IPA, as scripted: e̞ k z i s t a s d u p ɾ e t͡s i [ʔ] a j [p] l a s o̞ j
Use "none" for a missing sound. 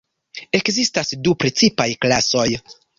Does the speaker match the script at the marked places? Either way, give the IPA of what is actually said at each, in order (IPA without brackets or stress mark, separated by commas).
p, k